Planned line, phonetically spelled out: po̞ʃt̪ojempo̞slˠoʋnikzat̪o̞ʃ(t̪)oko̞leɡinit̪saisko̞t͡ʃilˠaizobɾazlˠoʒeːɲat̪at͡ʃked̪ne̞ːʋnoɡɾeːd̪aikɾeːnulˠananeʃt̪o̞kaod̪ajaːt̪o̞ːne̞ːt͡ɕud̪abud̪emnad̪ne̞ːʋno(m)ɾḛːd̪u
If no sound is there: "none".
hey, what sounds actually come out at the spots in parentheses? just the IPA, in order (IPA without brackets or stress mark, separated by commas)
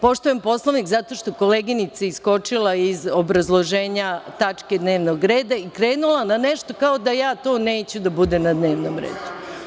t̪, m